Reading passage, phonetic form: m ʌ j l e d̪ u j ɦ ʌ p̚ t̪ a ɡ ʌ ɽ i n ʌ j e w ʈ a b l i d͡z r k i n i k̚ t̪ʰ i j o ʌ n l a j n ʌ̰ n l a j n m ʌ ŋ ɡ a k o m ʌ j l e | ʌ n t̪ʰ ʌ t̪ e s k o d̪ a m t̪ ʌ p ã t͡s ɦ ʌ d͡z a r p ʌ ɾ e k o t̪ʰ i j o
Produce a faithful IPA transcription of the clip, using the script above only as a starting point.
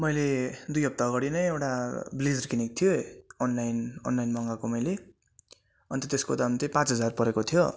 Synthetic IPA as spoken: m ʌ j l e d̪ u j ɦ ʌ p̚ t̪ a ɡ ʌ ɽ i n ʌ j e w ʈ a b l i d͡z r k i n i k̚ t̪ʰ i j o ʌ n l a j n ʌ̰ n l a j n m ʌ ŋ ɡ a k o m ʌ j l e | ʌ n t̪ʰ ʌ t̪ e s k o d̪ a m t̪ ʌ p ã t͡s ɦ ʌ d͡z a r p ʌ ɾ e k o t̪ʰ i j o